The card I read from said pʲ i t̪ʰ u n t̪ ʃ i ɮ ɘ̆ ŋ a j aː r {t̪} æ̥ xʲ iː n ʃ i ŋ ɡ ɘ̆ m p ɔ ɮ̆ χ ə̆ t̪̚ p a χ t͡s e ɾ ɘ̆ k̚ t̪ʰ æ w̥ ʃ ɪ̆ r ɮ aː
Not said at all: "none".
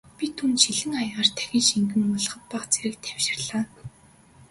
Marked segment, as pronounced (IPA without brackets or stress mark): t̪ʰ